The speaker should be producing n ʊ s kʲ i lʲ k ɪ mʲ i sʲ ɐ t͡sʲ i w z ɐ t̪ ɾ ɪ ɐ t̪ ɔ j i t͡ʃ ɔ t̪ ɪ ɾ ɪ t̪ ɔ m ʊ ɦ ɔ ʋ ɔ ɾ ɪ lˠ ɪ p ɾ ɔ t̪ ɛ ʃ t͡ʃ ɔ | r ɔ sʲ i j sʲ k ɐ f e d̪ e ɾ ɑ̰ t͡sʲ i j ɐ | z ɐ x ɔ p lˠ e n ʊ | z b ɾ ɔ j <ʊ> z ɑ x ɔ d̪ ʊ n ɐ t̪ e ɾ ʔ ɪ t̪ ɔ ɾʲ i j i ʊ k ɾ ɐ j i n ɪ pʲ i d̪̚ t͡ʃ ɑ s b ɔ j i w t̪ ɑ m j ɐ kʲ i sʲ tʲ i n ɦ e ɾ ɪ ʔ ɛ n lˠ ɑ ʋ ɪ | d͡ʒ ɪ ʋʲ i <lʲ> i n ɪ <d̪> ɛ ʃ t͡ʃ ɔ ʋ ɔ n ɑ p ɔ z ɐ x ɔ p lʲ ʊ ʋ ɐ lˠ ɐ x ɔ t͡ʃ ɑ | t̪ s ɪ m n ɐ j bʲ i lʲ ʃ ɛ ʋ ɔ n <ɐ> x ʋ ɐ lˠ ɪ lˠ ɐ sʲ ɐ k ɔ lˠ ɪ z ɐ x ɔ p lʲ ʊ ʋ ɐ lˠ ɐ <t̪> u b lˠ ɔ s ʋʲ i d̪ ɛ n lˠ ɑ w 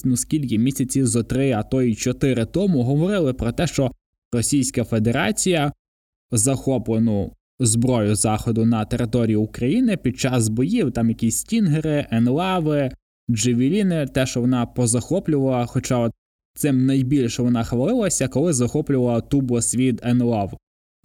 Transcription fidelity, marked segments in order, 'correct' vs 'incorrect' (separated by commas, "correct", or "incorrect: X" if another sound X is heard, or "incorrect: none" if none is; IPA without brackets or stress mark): correct, correct, incorrect: t̪, incorrect: ɑ, correct